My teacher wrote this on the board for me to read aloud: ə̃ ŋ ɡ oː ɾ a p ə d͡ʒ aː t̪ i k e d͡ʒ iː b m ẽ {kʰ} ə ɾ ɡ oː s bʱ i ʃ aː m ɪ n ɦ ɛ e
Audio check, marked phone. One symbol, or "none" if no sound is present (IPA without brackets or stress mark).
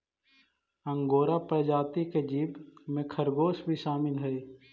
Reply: kʰ